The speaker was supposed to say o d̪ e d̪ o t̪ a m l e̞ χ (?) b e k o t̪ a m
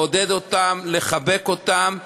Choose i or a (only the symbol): a